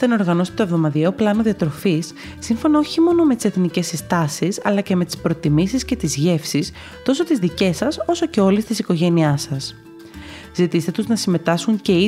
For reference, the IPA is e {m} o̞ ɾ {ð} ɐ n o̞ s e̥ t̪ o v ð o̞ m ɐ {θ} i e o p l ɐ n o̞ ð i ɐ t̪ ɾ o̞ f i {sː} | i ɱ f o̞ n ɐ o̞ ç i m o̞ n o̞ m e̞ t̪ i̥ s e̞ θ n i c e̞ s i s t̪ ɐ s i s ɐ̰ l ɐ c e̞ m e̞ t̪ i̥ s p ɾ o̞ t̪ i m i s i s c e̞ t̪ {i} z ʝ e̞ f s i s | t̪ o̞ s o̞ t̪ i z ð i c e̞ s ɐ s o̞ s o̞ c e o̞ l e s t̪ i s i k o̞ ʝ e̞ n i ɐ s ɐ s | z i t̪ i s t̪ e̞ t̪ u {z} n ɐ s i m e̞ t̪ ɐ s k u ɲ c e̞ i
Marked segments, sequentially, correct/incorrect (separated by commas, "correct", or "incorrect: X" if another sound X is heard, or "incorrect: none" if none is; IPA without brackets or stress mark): incorrect: n, incorrect: ɣ, incorrect: ð, correct, correct, correct